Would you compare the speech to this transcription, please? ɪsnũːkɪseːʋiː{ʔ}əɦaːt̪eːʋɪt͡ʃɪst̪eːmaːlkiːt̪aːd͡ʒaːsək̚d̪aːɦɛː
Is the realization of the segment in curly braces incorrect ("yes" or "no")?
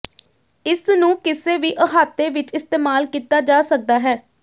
no